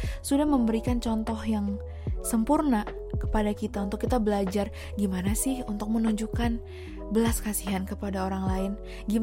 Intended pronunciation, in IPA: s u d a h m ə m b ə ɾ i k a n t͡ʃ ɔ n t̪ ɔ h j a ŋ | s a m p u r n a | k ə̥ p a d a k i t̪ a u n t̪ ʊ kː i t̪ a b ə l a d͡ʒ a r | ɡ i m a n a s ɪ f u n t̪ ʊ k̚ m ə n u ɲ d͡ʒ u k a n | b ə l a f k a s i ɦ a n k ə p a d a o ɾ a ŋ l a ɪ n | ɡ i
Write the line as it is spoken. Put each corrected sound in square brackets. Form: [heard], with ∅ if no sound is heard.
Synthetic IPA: s u d a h m ə m b ə ɾ i k a n t͡ʃ ɔ n t̪ ɔ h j a ŋ | s [ə] m p u r n a | k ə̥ p a d a k i t̪ a u n t̪ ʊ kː i t̪ a b ə l a d͡ʒ a r | ɡ i m a n a s ɪ [h] u n t̪ ʊ k̚ m ə n u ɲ d͡ʒ u k a n | b ə l a [s] k a s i ɦ a n k ə p a d a o ɾ a ŋ l a ɪ n | ɡ i